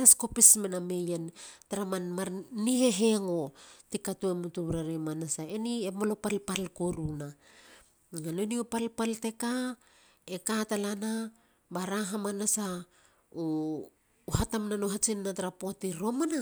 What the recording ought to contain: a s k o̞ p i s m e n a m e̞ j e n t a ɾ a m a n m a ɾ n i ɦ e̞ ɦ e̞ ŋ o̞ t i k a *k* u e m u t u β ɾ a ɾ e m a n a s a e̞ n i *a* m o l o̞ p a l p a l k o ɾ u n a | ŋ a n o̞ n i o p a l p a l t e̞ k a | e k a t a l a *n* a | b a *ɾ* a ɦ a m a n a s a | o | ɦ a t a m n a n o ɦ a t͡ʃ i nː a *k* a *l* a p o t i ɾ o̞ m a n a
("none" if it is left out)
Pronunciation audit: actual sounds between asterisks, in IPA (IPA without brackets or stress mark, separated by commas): t, e, n, ɾ, t, ɾ